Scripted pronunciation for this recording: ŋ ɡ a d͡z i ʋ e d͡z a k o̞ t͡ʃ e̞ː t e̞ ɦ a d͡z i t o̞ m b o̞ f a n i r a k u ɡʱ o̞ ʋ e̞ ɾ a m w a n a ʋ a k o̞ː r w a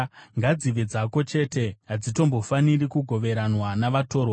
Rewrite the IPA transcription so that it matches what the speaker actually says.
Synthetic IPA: ŋ ɡ a d͡z i ʋ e d͡z a k o̞ t͡ʃ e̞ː t e̞ ɦ a d͡z i t o̞ m b o̞ f a n i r i k u ɡʱ o̞ ʋ e̞ ɾ a n w a n a ʋ a t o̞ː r w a